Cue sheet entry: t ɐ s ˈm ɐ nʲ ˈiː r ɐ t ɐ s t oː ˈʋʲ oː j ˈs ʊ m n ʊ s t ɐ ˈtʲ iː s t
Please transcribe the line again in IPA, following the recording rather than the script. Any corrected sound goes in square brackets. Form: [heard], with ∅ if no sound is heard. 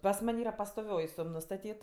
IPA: [p] ɐ s ˈm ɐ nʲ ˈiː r ɐ [p] ɐ s t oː ˈʋʲ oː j ˈs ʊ m n ʊ s t ɐ ˈtʲ iː [∅] t